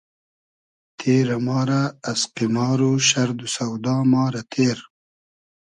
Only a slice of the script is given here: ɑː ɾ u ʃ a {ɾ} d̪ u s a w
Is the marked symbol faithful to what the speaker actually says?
yes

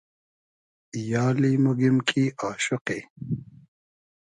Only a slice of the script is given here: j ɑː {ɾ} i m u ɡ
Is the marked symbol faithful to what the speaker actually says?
no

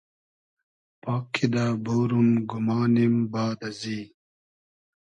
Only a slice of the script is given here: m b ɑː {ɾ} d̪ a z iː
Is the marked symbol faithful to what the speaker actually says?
no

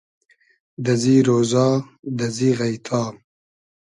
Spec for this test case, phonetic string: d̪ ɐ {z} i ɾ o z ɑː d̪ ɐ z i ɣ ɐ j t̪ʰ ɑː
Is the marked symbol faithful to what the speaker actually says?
yes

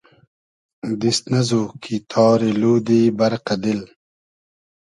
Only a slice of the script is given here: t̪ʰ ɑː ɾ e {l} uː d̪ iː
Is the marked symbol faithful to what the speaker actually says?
yes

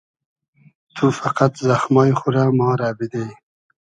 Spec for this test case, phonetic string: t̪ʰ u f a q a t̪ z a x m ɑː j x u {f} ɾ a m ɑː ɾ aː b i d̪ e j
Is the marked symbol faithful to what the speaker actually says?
no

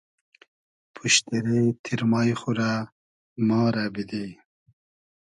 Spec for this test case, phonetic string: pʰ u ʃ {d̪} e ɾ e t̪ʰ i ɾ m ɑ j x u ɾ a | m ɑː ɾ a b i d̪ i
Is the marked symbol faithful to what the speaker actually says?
no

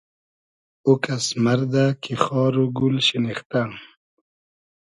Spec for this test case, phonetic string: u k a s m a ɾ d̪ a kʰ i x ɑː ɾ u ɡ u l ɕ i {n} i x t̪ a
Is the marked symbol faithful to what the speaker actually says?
yes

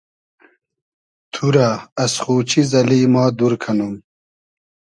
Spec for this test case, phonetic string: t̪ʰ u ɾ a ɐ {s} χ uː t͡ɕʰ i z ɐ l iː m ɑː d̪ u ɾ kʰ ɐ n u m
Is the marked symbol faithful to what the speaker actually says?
yes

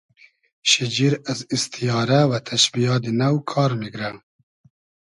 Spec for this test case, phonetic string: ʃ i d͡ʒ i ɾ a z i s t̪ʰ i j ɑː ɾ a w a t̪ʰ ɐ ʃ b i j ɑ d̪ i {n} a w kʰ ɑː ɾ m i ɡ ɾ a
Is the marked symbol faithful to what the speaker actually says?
yes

